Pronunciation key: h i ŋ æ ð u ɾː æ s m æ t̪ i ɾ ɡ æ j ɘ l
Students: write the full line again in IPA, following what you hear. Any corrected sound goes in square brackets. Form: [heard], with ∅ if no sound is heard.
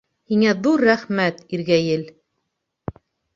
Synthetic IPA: h i ŋ æ ð u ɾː æ [χ] m æ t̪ i ɾ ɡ æ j ɘ l